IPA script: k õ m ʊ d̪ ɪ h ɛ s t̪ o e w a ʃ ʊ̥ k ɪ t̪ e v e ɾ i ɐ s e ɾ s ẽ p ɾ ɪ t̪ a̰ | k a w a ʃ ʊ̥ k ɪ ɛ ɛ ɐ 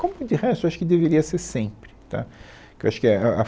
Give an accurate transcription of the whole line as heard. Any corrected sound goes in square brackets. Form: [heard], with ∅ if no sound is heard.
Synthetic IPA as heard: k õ m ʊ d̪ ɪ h ɛ s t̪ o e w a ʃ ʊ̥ k ɪ [d̪] e v e ɾ i ɐ s e ɾ s ẽ p ɾ ɪ t̪ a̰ | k [e] w a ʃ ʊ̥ k ɪ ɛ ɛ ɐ

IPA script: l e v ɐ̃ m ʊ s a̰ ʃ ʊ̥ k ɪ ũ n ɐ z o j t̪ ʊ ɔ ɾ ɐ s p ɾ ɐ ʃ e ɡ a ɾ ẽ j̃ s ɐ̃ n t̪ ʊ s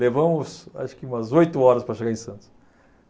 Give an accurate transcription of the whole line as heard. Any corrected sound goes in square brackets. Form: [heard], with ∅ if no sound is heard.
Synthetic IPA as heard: l e v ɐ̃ m ʊ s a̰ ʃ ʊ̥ k ɪ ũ [m] ɐ z o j t̪ ʊ ɔ ɾ ɐ s p ɾ ɐ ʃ e ɡ a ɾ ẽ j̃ s ɐ̃ n t̪ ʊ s

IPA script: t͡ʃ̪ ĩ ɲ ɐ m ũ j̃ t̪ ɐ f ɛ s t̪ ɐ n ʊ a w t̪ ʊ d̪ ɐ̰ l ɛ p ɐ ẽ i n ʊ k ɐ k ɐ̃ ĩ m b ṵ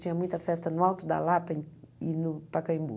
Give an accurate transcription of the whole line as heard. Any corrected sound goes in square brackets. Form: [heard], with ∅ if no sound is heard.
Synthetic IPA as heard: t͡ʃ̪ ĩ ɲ ɐ m ũ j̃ t̪ ɐ f ɛ s t̪ ɐ n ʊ a w t̪ ʊ d̪ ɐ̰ l [a] p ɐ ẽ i n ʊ [p] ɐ k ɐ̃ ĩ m b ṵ

